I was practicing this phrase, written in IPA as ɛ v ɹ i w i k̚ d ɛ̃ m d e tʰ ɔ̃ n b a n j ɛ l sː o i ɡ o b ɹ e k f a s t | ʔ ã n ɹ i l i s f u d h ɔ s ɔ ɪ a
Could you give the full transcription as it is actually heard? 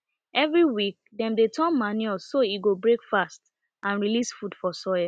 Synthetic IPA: ɛ v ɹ i w i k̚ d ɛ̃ m d e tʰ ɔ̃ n m a n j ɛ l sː o i ɡ o b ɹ e k f a s t | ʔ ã n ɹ i l i s f u d f ɔ s ɔ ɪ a